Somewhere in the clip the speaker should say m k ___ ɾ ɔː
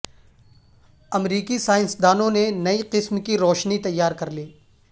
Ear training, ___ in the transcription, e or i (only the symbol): i